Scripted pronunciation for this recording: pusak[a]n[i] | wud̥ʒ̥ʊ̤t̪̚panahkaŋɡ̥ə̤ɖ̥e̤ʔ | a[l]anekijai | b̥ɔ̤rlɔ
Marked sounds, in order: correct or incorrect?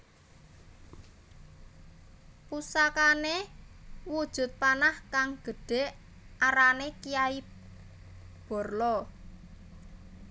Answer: correct, incorrect: e, incorrect: ɾ

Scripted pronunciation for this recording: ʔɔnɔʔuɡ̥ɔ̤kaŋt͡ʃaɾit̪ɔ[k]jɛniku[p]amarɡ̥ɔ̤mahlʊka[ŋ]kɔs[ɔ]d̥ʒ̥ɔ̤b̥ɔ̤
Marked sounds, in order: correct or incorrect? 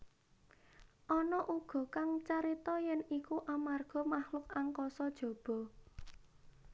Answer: incorrect: none, incorrect: ʔ, correct, correct

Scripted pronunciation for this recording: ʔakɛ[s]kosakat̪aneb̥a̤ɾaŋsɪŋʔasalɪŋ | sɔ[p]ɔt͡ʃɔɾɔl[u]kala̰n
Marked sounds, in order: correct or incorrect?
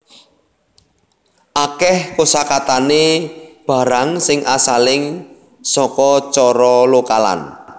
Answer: incorrect: h, incorrect: k, incorrect: o

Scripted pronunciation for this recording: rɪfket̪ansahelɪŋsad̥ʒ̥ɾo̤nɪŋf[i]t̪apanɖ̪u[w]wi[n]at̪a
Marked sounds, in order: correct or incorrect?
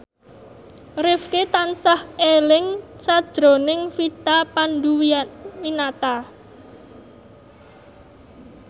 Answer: correct, correct, correct

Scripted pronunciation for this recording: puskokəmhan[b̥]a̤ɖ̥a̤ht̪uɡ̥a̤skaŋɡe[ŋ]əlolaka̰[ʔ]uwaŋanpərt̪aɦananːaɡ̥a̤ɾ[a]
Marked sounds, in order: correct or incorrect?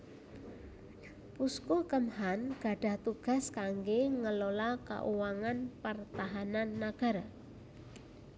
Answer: incorrect: ɡ̥, correct, correct, correct

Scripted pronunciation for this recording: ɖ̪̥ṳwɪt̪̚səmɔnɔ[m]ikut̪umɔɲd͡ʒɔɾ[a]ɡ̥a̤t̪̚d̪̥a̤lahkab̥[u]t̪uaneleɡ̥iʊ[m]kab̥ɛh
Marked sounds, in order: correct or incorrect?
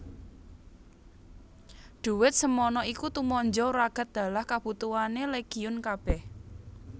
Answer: incorrect: none, correct, correct, incorrect: n

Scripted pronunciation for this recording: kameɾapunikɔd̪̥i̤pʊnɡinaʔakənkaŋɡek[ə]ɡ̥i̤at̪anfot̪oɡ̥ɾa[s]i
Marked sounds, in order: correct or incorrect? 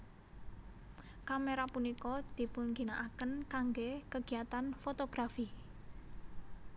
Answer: correct, incorrect: f

